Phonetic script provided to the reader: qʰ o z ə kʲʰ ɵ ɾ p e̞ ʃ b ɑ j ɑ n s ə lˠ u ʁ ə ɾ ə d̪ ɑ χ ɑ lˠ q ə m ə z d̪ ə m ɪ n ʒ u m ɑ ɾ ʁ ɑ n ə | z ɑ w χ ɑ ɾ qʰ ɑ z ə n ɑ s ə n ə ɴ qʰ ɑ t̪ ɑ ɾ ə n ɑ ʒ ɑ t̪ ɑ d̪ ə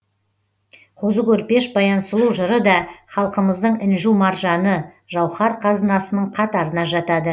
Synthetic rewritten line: qʰ o z ə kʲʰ ɵ ɾ p e̞ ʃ b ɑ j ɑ n s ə lˠ u ʒ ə ɾ ə d̪ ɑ χ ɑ lˠ q ə m ə z d̪ ə ɴ ɪ n ʒ u m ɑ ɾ ʒ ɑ n ə | ʒ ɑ w χ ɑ ɾ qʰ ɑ z ə n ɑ s ə n ə ɴ qʰ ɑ t̪ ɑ ɾ ə n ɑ ʒ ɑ t̪ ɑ d̪ ə